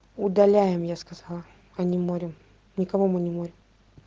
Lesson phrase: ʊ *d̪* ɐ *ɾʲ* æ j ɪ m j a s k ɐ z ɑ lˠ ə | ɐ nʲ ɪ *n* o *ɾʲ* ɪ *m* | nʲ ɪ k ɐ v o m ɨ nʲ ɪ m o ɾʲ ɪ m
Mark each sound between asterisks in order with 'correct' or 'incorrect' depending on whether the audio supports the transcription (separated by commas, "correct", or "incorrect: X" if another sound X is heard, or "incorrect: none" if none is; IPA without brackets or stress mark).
correct, incorrect: lʲ, incorrect: m, correct, correct